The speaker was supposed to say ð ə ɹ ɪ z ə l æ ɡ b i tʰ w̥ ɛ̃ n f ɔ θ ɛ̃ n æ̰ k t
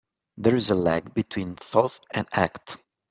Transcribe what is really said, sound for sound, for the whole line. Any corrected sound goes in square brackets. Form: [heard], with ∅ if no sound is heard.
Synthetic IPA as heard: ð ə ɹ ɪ z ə l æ ɡ b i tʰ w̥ [ĩ] n [θ] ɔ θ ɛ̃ n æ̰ k t